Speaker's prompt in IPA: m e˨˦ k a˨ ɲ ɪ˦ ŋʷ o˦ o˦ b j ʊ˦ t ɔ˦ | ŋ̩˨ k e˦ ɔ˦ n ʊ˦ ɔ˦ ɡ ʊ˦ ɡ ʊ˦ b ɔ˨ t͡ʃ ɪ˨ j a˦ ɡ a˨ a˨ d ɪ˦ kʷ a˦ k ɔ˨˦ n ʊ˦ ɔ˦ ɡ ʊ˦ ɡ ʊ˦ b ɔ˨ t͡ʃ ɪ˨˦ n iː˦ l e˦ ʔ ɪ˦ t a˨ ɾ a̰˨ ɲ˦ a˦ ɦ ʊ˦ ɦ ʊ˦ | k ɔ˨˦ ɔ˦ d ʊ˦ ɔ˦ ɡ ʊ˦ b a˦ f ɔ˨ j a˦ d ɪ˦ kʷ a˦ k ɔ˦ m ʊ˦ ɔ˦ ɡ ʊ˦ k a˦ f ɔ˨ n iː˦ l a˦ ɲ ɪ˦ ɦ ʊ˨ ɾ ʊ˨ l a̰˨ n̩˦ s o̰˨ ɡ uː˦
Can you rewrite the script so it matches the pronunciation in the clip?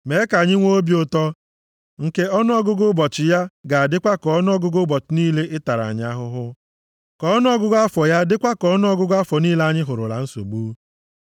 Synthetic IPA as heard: m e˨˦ k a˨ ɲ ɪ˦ ŋʷ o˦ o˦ b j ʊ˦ t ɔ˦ | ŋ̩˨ k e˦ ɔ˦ n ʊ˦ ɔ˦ ɡ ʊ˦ ɡ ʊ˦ b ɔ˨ t͡ʃ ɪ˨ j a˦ ɡ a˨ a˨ d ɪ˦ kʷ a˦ k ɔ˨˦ n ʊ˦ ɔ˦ ɡ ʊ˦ ɡ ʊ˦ b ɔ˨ t͡ʃ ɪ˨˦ n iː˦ l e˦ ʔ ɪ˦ t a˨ ɾ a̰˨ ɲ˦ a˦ ɦ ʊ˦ ɦ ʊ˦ | k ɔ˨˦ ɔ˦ n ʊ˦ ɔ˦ ɡ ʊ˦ ɡ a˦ f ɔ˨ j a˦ d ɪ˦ kʷ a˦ k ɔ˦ n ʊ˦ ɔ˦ ɡ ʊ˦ ɡ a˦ f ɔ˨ n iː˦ l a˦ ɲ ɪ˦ ɦ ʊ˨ ɾ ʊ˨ l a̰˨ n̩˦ s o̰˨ ɡ͡b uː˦

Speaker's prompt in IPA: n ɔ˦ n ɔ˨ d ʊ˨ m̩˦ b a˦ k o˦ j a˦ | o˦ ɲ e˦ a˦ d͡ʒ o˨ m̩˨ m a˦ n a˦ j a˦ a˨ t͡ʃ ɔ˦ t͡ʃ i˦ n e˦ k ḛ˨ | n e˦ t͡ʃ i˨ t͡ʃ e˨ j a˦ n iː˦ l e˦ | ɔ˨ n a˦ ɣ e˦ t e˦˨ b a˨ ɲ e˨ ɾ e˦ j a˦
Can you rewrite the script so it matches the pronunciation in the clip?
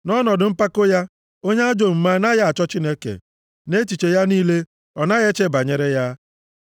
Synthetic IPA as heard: n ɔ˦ n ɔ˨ d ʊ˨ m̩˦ p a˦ k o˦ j a˦ | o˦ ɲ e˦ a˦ d͡ʒ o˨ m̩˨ m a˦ n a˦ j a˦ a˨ t͡ʃ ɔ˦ t͡ʃ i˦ n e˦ k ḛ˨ | n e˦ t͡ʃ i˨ t͡ʃ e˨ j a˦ n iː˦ l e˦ | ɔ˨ n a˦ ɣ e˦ t͡ʃ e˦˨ b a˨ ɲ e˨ ɾ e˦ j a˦

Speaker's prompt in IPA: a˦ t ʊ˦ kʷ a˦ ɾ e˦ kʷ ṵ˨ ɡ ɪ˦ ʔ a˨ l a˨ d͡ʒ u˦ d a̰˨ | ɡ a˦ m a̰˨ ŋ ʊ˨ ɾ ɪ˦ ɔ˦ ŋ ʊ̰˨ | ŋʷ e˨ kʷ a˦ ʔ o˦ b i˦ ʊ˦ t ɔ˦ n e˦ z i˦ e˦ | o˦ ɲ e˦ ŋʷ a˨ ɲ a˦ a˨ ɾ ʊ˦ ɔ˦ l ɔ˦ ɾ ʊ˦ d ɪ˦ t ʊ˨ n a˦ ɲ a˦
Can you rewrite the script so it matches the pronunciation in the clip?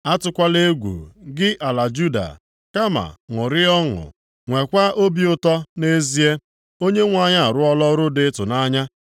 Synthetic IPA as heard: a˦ t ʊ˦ kʷ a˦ l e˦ ɡʷ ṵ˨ ɡ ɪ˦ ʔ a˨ l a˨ d͡ʒ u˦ d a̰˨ | k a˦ m a̰˨ ŋ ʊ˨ ɾ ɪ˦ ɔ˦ ŋ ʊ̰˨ | ŋʷ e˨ kʷ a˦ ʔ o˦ b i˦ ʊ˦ t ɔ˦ n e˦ z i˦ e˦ | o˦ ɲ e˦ ŋʷ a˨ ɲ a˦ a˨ ɾ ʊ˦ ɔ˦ l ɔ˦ ɾ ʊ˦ d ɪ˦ t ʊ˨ n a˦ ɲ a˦

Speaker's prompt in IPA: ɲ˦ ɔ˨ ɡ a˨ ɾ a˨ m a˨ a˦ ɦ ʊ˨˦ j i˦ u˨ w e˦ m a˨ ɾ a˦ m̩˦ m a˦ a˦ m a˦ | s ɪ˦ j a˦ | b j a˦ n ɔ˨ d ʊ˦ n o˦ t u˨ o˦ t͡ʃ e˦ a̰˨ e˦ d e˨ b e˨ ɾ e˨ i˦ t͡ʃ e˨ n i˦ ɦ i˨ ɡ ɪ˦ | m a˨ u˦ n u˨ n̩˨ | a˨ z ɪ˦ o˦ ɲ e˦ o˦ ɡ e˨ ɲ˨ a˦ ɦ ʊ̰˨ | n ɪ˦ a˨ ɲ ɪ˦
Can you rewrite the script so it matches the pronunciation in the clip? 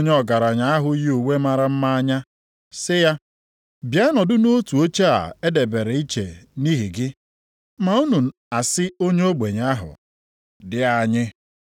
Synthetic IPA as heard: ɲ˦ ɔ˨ ɡ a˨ ɾ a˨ ɲ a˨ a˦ ɦ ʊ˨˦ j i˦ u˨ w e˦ m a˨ ɾ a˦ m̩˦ m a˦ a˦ ɲ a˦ | s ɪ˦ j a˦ | b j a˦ n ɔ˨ d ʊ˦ n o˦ t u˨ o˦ t͡ʃ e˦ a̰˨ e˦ d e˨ b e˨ ɾ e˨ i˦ t͡ʃ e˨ n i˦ ɦ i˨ ɡ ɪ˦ | m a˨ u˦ n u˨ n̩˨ | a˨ s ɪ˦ o˦ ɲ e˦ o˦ ɡ͡b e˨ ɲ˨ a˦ ɦ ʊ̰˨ | d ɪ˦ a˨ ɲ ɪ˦

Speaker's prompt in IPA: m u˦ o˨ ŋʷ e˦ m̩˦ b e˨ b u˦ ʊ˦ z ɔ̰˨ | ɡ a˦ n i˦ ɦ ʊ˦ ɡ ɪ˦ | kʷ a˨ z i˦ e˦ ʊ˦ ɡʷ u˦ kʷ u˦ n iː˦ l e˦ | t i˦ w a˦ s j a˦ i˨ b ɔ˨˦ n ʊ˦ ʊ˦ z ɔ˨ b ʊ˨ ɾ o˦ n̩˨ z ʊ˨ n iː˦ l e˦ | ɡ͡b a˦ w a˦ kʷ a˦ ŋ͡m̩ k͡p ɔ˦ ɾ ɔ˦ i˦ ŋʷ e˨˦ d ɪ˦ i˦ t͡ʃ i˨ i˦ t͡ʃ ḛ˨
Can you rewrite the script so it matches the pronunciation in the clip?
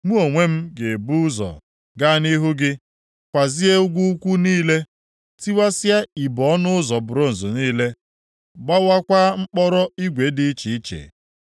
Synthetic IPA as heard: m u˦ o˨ ŋʷ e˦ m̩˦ ɡ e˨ b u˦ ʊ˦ z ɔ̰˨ | ɡ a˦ n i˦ ɦ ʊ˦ ɡ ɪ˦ | kʷ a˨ z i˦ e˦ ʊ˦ ɡʷ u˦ kʷ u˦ n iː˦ l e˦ | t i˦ w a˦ s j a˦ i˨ b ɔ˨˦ n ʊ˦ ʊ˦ z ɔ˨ b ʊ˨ ɾ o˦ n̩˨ z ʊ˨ n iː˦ l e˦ | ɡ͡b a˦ w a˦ kʷ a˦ ŋ͡m̩ k͡p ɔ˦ ɾ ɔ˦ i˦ ɡʷ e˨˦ d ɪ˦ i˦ t͡ʃ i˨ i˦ t͡ʃ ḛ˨

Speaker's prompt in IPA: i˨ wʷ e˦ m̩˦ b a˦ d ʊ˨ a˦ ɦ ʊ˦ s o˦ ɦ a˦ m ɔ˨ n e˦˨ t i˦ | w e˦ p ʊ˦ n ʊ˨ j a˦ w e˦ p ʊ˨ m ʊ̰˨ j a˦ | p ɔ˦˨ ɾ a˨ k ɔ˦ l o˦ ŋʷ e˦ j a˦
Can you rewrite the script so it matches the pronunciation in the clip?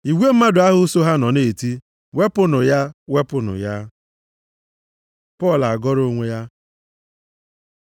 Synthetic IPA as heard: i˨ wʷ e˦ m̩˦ m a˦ d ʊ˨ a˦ ɦ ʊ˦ s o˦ ɦ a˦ n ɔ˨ n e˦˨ t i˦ | w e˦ p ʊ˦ n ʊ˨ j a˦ w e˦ p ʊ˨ n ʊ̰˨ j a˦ | p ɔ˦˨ l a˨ ɡ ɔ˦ ɾ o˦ ŋʷ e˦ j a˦

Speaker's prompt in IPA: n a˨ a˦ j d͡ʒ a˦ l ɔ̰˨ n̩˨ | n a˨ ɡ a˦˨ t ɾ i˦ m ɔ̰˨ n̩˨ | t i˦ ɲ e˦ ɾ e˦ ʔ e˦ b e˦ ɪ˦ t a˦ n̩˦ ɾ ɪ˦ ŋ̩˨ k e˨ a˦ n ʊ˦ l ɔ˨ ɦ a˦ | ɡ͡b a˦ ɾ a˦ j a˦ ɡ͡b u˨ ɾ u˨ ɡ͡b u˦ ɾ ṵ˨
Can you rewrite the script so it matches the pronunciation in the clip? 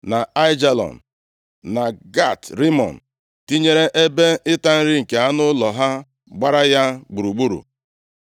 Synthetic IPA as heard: n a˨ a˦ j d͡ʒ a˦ l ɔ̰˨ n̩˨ | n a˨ ɡ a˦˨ t ɾ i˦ m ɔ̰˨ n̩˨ | t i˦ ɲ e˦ ɾ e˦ ʔ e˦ b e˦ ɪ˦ t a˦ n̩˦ ɾ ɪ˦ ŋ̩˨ k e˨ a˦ n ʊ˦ l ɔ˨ ɦ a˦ | ɡ͡b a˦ ɾ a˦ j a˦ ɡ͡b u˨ ɾ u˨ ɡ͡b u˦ ɾ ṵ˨

